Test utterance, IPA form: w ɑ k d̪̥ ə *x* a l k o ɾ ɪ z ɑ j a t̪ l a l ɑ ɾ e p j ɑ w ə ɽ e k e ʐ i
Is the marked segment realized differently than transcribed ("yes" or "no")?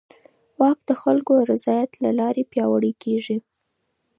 no